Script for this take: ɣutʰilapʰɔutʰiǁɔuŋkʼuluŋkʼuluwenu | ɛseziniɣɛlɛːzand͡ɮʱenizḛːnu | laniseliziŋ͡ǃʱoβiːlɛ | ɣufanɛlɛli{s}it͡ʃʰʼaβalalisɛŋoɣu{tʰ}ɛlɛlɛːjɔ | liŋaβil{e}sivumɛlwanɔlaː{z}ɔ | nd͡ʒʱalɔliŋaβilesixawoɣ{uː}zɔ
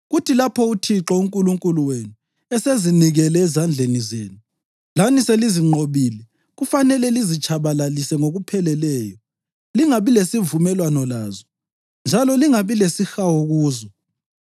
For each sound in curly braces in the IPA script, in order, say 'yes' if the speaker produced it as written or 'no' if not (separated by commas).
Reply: no, no, yes, yes, yes